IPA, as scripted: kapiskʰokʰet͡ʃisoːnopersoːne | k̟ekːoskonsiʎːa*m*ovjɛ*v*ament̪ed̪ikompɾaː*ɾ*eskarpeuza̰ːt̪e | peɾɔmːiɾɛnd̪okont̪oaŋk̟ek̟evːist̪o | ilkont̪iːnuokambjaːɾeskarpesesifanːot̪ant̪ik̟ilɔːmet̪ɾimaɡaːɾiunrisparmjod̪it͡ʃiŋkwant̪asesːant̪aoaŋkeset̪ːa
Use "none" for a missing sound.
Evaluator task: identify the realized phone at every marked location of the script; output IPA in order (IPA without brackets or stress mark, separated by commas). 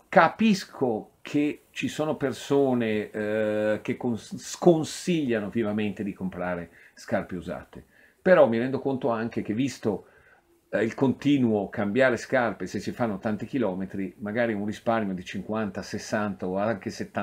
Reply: n, v, ɾ